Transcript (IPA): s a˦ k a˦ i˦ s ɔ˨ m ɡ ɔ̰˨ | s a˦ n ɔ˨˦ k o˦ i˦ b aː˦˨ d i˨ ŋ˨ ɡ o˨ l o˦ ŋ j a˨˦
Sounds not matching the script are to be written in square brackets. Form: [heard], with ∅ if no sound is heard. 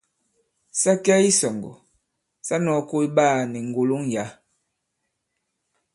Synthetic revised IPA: s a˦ k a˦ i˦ s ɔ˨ [ŋ] ɡ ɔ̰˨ | s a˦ n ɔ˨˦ k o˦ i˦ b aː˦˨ [n] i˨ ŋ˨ ɡ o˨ l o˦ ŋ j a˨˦